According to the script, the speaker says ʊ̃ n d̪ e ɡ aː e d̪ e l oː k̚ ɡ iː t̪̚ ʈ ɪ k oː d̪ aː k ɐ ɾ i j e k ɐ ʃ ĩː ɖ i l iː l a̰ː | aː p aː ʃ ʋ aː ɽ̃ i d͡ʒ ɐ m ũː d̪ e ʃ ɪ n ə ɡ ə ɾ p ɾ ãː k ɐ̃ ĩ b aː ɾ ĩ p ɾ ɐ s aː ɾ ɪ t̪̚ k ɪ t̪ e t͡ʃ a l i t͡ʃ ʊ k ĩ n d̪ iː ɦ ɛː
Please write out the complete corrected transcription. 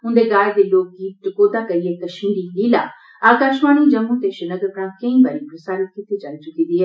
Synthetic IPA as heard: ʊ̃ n d̪ e ɡ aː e d̪ e l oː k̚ ɡ iː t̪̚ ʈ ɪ k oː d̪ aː k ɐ ɾ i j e k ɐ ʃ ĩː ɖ i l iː l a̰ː | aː k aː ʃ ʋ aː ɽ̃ i d͡ʒ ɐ m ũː t̪ e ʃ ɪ n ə ɡ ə ɾ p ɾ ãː k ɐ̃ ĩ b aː ɾ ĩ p ɾ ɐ s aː ɾ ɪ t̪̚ k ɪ t̪ e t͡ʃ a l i t͡ʃ ʊ k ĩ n d̪ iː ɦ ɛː

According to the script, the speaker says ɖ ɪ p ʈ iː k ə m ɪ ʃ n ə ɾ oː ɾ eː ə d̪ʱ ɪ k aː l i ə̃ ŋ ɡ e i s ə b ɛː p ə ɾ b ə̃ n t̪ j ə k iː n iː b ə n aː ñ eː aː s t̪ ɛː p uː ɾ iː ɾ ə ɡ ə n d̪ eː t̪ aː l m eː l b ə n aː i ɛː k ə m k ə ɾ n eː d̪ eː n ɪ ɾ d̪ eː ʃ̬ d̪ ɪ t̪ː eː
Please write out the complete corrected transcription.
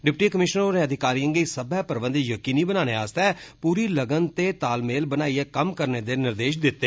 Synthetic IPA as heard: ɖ ɪ p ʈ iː k ə m ɪ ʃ n ə ɾ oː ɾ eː ə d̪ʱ ɪ k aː ɾ i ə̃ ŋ ɡ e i s ə b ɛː p ə ɾ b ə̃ n d̪ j ə k iː n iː b ə n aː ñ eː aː s t̪ ɛː p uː ɾ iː l ə ɡ ə n t̪ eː t̪ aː l m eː l b ə n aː i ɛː k ə m k ə ɾ n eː d̪ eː n ɪ ɾ d̪ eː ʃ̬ d̪ ɪ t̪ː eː

